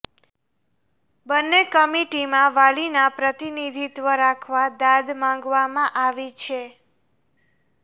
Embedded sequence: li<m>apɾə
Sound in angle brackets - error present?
yes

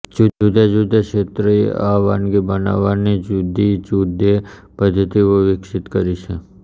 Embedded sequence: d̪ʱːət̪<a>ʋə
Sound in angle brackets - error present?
yes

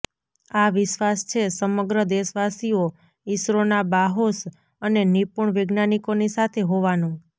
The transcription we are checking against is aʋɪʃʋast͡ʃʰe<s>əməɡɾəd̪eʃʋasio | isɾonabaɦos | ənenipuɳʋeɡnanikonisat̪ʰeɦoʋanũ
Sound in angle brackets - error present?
no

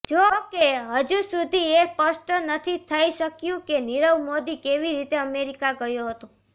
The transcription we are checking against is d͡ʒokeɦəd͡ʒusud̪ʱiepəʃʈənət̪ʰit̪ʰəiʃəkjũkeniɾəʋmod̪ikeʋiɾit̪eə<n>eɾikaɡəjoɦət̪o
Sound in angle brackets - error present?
yes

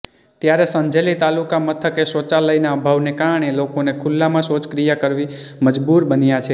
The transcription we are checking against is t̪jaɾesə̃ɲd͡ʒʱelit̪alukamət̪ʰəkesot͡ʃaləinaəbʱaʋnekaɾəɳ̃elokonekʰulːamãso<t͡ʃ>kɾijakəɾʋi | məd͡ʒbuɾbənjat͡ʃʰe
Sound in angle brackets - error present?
no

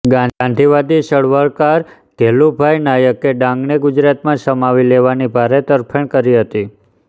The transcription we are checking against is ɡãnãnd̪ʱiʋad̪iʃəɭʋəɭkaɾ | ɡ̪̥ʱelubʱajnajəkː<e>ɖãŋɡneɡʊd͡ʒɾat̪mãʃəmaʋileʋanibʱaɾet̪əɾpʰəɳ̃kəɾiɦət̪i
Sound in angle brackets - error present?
no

